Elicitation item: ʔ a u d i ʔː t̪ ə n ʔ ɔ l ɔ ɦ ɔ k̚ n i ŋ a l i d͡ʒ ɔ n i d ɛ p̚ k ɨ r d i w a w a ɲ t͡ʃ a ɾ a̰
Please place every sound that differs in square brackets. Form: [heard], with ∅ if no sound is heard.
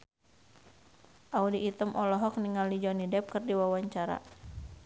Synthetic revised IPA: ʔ a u d i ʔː t̪ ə [m] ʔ ɔ l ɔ ɦ ɔ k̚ n i ŋ a l i d͡ʒ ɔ n i d ɛ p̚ k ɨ r d i w a w a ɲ t͡ʃ a ɾ a̰